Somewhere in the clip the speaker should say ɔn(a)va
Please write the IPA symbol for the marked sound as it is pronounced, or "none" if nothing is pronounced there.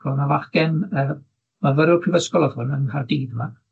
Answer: a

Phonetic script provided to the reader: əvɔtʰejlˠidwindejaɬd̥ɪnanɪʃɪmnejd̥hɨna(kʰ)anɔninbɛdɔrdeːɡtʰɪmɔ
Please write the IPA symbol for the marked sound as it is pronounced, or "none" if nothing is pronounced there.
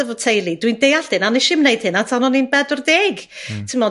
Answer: tʰ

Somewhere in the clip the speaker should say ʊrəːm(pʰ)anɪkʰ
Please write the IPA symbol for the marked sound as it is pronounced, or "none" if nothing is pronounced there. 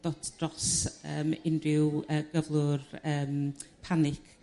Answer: pʰ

